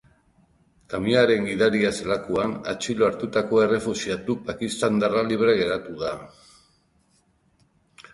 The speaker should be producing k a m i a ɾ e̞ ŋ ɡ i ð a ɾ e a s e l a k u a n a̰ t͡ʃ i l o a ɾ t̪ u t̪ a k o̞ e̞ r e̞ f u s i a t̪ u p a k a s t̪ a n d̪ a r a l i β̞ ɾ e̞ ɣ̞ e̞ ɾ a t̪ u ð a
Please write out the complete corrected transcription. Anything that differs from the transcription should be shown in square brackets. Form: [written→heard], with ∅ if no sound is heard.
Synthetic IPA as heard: k a m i a ɾ e̞ ŋ ɡ i ð a ɾ [e→i] a s e l a k u a n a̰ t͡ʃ i l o a ɾ t̪ u t̪ a k o̞ e̞ r e̞ f u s i a t̪ u p a k [a→i] s t̪ a n d̪ a r a l i β̞ ɾ e̞ ɣ̞ e̞ ɾ a t̪ u ð a